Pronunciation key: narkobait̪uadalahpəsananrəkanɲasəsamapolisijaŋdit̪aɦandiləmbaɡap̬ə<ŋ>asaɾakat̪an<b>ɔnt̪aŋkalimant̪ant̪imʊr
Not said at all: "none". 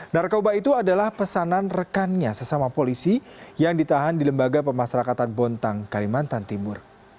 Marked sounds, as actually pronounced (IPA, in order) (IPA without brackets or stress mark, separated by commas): m, b